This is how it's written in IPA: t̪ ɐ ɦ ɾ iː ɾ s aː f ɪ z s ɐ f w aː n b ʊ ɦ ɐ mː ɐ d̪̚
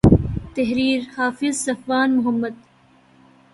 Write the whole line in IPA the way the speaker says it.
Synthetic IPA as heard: t̪ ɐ ɦ ɾ iː ɾ h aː f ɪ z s ɐ f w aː n m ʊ ɦ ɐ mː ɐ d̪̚

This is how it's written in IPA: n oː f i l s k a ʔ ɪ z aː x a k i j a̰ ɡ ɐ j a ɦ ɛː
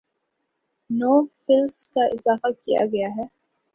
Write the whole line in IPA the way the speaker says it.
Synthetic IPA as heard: n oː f ɪ l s k a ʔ ɪ z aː f a k i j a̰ ɡ ɐ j a ɦ ɛː

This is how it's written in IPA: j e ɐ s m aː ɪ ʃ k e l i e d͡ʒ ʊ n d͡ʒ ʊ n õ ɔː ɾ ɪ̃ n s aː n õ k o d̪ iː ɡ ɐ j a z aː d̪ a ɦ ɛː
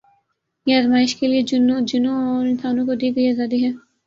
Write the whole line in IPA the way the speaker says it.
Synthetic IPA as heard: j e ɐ z m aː ɪ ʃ k e l i e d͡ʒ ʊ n d͡ʒ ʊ n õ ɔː ɾ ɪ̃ n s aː n õ k o d̪ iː ɡ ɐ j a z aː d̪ i ɦ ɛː

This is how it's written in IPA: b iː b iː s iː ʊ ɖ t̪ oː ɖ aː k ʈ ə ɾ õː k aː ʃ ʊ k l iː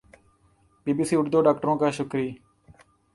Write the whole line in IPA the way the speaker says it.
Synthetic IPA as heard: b iː b iː s iː ʊ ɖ d̪ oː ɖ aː k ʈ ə ɾ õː k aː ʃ ʊ k ɾ iː

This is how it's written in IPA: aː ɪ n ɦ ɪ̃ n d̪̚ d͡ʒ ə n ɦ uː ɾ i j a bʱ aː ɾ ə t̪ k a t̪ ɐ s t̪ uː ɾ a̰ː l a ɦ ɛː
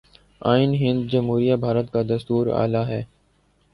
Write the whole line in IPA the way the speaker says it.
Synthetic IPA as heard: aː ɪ n ɦ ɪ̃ n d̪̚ d͡ʒ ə m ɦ uː ɾ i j a bʱ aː ɾ ə t̪ k a d̪ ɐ s t̪ uː ɾ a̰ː l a ɦ ɛː

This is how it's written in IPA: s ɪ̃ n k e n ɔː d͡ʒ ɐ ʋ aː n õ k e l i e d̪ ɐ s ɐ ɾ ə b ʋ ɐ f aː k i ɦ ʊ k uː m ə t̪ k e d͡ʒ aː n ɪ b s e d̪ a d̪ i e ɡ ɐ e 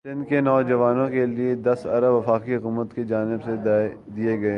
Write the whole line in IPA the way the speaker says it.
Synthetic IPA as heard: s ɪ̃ n k e n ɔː d͡ʒ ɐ ʋ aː n õ k e l i e d̪ ɐ s ɐ ɾ ə b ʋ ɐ f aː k i ɦ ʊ k uː m ə t̪ k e d͡ʒ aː n ɪ b s e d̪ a d̪ i e ɡ ɐ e

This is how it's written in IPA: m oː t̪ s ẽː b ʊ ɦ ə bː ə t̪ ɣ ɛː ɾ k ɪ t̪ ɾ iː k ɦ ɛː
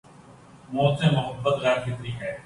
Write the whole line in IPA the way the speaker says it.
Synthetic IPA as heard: m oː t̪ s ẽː m ʊ ɦ ə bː ə t̪ ɣ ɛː ɾ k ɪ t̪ ɾ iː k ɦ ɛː

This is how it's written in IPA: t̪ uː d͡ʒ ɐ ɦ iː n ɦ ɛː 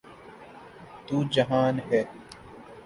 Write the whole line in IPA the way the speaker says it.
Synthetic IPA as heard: t̪ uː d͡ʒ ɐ ɦ aː n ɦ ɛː

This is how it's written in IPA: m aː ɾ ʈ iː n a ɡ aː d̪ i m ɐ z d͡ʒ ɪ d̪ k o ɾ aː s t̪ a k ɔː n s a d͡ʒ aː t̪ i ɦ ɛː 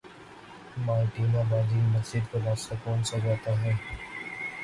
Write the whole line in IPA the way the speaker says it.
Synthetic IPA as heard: m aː ɾ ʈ iː n a b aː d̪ i m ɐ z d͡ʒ ɪ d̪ k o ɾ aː s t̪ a k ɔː n s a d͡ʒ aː t̪ a ɦ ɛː

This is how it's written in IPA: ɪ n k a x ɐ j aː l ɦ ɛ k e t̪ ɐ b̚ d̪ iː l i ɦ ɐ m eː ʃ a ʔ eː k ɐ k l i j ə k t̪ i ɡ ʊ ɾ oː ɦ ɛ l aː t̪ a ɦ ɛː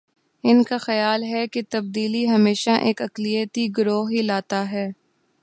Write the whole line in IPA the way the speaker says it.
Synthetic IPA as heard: ɪ n k a x ɐ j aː l ɦ ɛ k e t̪ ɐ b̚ d̪ iː l i ɦ ɐ m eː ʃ a ʔ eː k ɐ k l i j ə t̪ i ɡ ʊ ɾ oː ɦ i l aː t̪ a ɦ ɛː

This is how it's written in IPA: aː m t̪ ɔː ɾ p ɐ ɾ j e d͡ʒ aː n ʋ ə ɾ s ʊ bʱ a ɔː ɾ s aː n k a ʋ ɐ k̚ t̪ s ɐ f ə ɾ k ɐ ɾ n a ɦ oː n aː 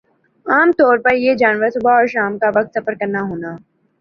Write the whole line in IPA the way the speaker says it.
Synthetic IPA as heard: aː m t̪ ɔː ɾ p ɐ ɾ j e d͡ʒ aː n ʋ ə ɾ s ʊ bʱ a ɔː ɾ ʃ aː m k a ʋ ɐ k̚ t̪ s ɐ f ə ɾ k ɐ ɾ n a ɦ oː n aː

